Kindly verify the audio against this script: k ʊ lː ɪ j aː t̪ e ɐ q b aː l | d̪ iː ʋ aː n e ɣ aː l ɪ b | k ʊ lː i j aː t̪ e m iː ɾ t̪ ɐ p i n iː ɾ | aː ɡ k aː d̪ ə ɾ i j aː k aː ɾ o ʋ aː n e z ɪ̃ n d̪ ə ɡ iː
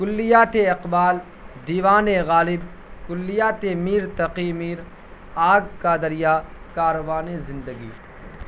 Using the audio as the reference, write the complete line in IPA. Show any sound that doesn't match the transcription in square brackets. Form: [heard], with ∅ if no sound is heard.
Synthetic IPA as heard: k ʊ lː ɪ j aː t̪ e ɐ q b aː l | d̪ iː ʋ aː n e ɣ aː l ɪ b | k ʊ lː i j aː t̪ e m iː ɾ t̪ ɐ [q] i [m] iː ɾ | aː ɡ k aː d̪ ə ɾ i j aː k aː ɾ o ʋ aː n e z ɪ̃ n d̪ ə ɡ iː

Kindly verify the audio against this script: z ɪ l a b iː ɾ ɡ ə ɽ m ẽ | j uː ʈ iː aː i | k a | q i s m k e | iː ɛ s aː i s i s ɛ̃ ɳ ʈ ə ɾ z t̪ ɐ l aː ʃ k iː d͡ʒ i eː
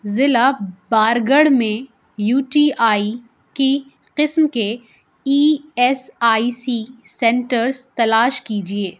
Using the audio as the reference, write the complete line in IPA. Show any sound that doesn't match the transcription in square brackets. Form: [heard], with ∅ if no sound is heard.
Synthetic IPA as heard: z ɪ l a b [aː] ɾ ɡ ə ɽ m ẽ | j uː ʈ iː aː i | k [i] | q [ɪ] s m k e | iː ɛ s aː i s i s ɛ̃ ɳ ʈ ə ɾ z t̪ ɐ l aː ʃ k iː d͡ʒ i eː

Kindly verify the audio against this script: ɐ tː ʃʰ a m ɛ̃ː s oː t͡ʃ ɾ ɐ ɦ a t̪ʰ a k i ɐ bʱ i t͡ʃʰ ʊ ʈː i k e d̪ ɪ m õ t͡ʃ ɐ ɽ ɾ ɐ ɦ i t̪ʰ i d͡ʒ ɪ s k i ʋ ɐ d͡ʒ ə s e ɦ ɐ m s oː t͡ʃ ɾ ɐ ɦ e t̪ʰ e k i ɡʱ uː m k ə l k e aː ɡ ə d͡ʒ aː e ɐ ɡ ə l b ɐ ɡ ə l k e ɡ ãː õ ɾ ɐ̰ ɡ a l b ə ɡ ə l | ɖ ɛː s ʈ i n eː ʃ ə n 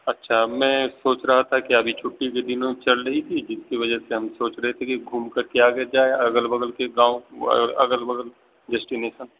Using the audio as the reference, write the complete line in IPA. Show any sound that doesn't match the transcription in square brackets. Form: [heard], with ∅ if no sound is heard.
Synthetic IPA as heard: ɐ tː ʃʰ a m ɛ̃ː s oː t͡ʃ ɾ ɐ ɦ a t̪ʰ a k i ɐ bʱ i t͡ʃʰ ʊ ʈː i k e d̪ ɪ [n] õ t͡ʃ ɐ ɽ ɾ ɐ ɦ i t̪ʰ i d͡ʒ ɪ s k i ʋ ɐ d͡ʒ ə s e ɦ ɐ m s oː t͡ʃ ɾ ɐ ɦ e t̪ʰ e k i ɡʱ uː m k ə [ɾ] k e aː ɡ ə d͡ʒ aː e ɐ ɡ ə l b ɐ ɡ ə l k e ɡ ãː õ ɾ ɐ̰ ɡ [ə] l b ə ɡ ə l | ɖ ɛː s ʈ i n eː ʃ ə n

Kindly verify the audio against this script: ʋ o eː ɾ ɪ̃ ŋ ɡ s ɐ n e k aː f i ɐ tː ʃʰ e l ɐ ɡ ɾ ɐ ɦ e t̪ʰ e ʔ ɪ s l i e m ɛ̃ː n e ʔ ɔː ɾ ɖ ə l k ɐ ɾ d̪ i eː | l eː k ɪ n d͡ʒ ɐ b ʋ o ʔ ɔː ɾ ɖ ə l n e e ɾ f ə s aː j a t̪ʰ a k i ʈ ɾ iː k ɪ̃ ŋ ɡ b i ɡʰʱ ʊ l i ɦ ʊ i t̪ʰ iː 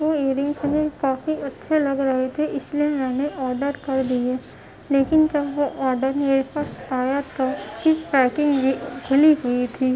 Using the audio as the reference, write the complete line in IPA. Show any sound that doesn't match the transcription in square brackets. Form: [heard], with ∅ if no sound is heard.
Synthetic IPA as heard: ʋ o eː ɾ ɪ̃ ŋ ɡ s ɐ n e k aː f i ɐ tː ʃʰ e l ɐ ɡ ɾ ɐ ɦ e t̪ʰ e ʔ ɪ s l i e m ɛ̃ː n e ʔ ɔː ɾ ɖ ə [ɾ] k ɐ ɾ d̪ i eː | l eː k ɪ n d͡ʒ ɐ b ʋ o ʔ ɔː ɾ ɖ ə [ɾ] n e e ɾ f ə s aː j a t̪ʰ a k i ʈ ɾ [ɛː] k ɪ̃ ŋ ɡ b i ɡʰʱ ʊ l i ɦ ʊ i t̪ʰ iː

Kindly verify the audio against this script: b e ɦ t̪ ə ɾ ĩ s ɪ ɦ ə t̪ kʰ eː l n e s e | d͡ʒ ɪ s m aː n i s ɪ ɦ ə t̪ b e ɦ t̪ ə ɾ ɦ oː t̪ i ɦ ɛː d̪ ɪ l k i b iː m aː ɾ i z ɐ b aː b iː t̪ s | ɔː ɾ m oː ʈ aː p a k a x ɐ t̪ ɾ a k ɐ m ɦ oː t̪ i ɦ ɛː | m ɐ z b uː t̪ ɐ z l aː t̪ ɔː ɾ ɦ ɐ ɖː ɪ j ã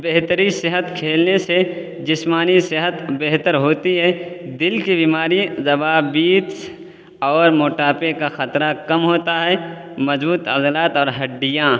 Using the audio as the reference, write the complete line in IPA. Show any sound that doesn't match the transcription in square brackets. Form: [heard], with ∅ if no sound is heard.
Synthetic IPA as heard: b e ɦ t̪ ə ɾ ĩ s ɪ ɦ ə t̪ kʰ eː l n e s e | d͡ʒ ɪ s m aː n i s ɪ ɦ ə t̪ b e ɦ t̪ ə ɾ ɦ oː t̪ i ɦ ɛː d̪ ɪ l k i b iː m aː ɾ i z ɐ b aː b iː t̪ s | ɔː ɾ m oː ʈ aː p [e] k a x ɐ t̪ ɾ a k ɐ m ɦ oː t̪ [a] ɦ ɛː | m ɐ z b uː t̪ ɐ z l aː t̪ ɔː ɾ ɦ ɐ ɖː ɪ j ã

